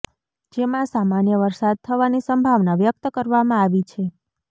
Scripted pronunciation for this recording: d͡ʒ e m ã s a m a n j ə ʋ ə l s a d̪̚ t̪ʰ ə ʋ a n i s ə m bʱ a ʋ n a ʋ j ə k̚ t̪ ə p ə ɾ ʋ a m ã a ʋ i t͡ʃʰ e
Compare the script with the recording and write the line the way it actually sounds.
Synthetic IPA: d͡ʒ e m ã s a m a n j ə ʋ ə ɾ s a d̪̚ t̪ʰ ə ʋ a n i s ə m bʱ a ʋ n a ʋ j ə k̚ t̪ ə k ə ɾ ʋ a m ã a ʋ i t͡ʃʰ e